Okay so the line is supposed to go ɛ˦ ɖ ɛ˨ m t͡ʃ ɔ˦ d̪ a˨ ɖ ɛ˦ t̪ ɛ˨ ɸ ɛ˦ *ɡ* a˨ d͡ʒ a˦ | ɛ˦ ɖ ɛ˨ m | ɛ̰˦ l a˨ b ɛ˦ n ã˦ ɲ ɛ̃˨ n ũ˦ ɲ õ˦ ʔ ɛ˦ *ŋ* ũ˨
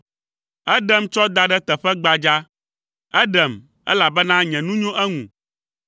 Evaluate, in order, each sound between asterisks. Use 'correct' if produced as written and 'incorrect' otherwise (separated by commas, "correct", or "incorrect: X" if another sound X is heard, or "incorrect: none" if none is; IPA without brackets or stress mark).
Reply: incorrect: ɡ͡b, correct